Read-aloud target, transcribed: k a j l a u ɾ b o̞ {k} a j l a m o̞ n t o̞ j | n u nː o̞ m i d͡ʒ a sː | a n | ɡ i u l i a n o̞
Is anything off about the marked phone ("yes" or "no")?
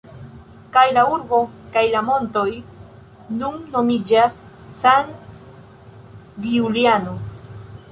no